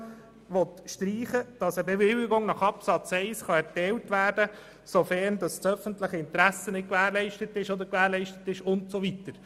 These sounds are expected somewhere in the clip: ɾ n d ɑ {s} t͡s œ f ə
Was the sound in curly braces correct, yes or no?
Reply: yes